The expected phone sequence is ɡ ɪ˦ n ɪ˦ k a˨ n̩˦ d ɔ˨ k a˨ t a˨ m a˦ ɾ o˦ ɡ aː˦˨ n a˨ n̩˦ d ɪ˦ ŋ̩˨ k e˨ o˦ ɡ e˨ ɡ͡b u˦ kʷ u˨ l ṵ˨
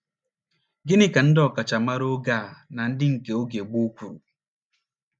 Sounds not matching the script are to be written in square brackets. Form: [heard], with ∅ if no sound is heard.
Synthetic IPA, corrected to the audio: ɡ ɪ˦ n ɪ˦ k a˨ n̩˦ d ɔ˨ k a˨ [t͡ʃ] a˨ m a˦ ɾ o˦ ɡ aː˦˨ n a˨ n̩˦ d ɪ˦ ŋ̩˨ k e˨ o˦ ɡ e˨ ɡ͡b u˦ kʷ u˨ [ɾ] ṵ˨